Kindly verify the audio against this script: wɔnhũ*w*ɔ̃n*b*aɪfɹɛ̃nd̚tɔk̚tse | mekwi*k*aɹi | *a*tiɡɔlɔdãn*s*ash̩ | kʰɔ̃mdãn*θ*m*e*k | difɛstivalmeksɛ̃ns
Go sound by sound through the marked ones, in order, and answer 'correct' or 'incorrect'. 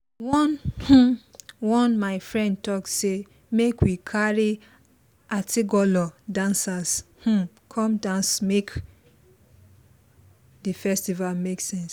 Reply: correct, incorrect: m, incorrect: kʰ, correct, correct, incorrect: s, correct

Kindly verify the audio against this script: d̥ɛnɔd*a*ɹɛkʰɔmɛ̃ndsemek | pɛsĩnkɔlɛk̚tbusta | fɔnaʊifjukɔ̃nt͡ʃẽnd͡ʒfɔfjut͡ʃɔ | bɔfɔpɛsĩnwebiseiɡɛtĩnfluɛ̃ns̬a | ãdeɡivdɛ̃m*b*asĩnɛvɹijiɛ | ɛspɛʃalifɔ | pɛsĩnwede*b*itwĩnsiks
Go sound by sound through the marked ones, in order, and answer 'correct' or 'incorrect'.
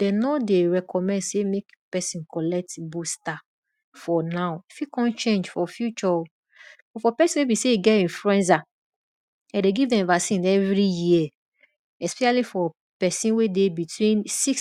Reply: incorrect: e, incorrect: v, correct

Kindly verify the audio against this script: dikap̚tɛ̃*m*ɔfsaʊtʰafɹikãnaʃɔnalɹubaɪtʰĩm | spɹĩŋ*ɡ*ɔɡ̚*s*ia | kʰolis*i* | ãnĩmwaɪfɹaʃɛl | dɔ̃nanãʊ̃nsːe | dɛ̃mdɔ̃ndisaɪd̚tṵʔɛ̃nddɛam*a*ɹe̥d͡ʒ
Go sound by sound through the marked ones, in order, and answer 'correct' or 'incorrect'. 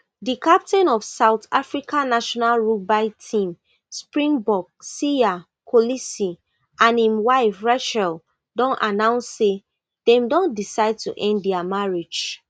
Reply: incorrect: n, incorrect: b, correct, correct, correct

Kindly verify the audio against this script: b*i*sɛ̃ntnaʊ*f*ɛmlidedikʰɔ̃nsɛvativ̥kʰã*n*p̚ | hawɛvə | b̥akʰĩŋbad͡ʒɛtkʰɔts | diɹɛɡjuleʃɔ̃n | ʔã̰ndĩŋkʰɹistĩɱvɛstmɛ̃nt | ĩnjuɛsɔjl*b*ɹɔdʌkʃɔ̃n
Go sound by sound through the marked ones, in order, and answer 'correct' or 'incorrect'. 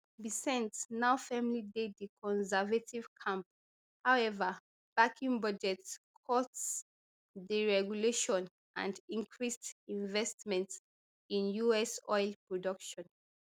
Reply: correct, correct, incorrect: m, incorrect: p

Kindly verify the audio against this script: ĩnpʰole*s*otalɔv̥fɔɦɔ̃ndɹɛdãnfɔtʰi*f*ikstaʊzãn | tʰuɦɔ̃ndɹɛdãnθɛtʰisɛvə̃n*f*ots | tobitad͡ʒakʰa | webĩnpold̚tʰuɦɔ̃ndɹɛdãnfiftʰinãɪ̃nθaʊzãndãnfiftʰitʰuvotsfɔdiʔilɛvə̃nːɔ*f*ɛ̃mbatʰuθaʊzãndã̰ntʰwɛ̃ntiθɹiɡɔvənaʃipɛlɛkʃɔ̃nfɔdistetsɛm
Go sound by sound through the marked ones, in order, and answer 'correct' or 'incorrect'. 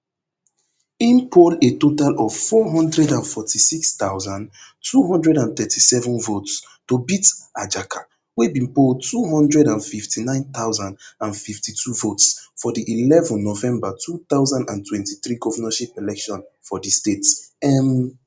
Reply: incorrect: t, incorrect: s, incorrect: v, incorrect: v

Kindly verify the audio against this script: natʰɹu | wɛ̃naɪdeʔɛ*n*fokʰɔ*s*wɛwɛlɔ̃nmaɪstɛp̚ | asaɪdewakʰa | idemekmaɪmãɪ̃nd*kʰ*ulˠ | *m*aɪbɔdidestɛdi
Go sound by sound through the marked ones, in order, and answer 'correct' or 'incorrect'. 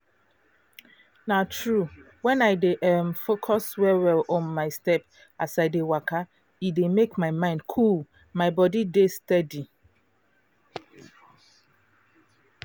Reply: incorrect: m, correct, correct, correct

